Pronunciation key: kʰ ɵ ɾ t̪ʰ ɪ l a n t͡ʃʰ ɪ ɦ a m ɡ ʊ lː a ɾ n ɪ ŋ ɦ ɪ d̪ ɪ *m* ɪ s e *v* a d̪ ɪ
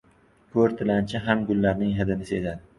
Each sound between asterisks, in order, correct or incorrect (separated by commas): incorrect, incorrect